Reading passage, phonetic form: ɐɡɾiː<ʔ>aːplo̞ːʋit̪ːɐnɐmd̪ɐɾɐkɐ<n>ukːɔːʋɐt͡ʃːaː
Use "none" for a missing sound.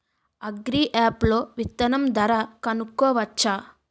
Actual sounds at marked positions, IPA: ʔ, n

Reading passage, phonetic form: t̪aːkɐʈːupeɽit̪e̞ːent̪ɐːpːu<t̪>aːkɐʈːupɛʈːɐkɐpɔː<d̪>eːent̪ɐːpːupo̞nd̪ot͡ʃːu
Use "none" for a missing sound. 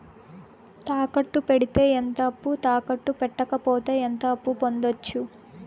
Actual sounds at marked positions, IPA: t̪, t̪

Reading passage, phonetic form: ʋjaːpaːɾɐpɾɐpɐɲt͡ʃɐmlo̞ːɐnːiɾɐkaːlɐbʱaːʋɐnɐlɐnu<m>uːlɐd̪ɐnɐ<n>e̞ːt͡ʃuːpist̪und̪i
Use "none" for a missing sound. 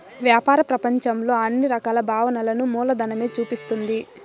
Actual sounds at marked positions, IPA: m, m

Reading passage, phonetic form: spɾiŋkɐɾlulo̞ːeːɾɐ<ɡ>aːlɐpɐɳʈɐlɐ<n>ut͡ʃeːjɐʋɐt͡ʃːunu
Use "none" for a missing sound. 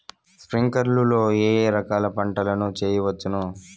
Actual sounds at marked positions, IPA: k, n

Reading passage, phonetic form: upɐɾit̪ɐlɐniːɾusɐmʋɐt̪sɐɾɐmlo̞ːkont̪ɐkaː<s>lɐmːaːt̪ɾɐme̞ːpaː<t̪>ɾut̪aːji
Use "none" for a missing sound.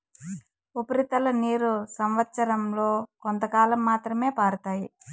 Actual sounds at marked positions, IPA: none, none

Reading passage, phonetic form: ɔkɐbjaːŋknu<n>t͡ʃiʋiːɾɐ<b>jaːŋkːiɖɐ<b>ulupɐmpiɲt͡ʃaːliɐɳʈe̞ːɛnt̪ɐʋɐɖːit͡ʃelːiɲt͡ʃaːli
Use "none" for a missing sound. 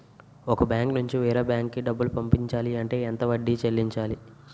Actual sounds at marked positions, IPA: ɲ, b, bː

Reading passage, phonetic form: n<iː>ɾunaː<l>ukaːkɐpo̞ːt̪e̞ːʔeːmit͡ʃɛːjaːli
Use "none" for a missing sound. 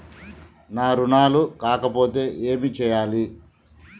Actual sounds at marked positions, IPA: aː, l

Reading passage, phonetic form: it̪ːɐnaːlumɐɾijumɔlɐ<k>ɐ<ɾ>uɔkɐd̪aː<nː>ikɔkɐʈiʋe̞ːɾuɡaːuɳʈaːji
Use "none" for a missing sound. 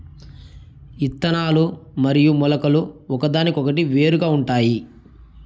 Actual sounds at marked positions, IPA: k, l, n

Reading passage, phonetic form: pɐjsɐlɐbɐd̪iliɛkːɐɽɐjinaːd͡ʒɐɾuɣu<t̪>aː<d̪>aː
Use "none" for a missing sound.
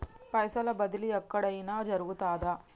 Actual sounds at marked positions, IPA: t̪, d̪

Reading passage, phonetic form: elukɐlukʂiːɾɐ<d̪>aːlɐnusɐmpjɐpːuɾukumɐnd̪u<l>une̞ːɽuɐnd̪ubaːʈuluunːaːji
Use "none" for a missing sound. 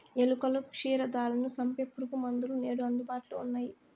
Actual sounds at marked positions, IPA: d̪, l

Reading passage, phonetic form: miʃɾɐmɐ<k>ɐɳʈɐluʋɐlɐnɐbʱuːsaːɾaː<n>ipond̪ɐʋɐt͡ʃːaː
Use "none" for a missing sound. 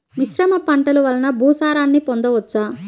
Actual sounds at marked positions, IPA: p, nː

